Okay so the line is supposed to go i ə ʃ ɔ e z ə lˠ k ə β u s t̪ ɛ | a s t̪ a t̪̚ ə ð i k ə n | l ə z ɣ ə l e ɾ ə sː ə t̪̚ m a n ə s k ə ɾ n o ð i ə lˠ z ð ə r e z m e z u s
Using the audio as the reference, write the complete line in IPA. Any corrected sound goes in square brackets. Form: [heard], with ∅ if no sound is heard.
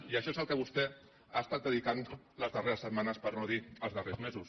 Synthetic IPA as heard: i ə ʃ ɔ e z ə lˠ k ə β u s t̪ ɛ | a s t̪ a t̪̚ ə ð i k [a] n | l ə z [ð] ə [r] e ɾ ə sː ə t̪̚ m a n ə s [p] ə ɾ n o ð i ə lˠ z ð ə r e z m e z u s